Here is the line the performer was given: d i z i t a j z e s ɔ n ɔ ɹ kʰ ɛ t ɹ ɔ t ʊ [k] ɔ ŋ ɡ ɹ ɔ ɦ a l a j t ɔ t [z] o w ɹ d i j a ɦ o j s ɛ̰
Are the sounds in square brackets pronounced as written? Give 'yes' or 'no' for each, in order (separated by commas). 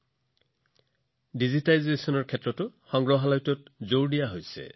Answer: no, yes